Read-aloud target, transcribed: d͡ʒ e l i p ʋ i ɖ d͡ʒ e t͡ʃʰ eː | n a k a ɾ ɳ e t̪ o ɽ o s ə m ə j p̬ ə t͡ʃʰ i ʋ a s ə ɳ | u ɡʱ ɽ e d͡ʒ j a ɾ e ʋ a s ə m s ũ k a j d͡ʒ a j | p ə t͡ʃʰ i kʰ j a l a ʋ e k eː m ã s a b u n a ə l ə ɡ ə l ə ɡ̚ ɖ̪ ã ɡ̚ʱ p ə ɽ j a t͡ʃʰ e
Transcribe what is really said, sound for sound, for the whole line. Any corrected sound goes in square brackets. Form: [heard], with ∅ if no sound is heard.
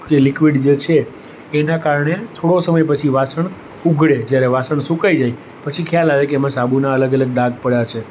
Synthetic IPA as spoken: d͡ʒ e l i [k] ʋ i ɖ d͡ʒ e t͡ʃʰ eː | n a k a ɾ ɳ e [t̪ʰ] o ɽ o s ə m ə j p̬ ə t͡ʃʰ i ʋ a s ə ɳ | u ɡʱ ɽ e d͡ʒ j a ɾ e ʋ a s ə [ɳ] s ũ k a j d͡ʒ a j | p ə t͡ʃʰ i kʰ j a l a ʋ e k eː m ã s a b u n a ə l ə ɡ ə l ə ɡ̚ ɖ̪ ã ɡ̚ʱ p ə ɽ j a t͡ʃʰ e